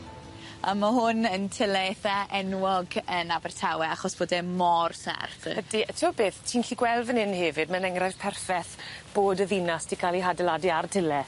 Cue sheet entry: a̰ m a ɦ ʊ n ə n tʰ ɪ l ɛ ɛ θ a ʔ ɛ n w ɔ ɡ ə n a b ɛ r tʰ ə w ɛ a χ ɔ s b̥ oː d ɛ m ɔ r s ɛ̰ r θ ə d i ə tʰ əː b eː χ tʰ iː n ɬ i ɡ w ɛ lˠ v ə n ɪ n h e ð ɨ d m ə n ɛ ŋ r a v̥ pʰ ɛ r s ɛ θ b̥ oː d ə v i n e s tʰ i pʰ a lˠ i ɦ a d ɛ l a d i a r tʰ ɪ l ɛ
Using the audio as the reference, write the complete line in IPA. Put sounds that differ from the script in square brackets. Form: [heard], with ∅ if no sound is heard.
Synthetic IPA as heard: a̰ m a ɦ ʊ n ə n tʰ ɪ l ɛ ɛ θ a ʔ ɛ n w ɔ ɡ ə n a b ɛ r tʰ [a] w ɛ a χ ɔ s b̥ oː d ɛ m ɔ r s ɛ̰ r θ ə d i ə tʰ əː b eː [θ] tʰ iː n ɬ i ɡ w ɛ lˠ v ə n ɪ n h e [v] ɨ d m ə n ɛ ŋ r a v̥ pʰ ɛ r [f] ɛ θ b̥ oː d ə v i n [a] s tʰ i [kʰ] a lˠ i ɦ a d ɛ l a d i a r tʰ ɪ l ɛ